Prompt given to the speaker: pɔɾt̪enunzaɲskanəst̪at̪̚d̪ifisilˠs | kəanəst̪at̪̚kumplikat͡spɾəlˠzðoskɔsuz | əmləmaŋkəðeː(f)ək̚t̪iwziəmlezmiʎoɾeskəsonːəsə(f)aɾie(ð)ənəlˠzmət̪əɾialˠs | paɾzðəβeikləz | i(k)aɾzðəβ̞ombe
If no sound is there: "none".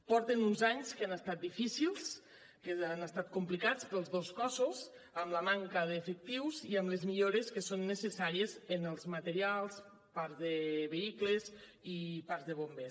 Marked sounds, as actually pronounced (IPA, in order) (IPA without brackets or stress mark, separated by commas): f, s, z, p